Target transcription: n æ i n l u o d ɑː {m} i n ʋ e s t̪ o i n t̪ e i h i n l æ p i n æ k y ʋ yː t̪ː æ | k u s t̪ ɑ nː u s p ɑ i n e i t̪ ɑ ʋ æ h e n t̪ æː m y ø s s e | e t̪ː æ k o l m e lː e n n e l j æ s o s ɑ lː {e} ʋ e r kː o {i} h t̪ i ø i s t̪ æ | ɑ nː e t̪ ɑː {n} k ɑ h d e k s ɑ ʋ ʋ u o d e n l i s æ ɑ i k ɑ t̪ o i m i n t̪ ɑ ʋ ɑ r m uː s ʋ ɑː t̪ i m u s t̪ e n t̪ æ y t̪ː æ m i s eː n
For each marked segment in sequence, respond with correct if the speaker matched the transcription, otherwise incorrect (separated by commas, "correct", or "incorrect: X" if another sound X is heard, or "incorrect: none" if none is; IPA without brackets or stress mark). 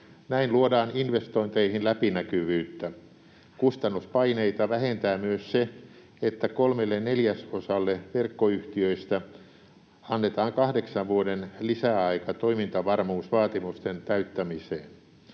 incorrect: n, correct, incorrect: y, incorrect: ŋ